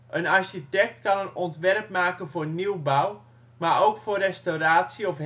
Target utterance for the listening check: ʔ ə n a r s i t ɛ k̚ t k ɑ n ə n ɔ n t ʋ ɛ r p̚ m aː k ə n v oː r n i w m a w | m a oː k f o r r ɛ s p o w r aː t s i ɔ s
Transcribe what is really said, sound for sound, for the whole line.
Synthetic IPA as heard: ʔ ə n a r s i t ɛ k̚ t k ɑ n ə n ɔ n t ʋ ɛ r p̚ m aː k ə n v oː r n i w b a w | m a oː k f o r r ɛ s t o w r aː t s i ɔ f